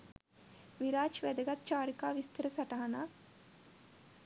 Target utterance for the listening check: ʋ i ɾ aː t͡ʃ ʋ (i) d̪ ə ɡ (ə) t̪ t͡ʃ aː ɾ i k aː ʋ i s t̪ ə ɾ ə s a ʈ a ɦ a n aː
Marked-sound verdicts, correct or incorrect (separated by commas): incorrect, incorrect